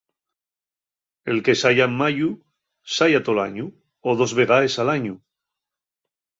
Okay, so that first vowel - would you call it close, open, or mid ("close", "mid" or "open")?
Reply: mid